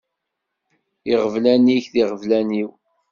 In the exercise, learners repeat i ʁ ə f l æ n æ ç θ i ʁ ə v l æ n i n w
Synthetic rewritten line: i ʁ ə v l æ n i ç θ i ʁ ə v l æ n i w